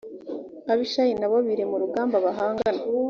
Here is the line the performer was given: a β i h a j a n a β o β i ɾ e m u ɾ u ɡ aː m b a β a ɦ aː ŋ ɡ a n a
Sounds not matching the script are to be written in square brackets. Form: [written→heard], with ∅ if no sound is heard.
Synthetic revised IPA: a β i [h→ʃ] a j [a→i] n a β o β i ɾ e m u ɾ u ɡ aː m b a β a ɦ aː ŋ ɡ a n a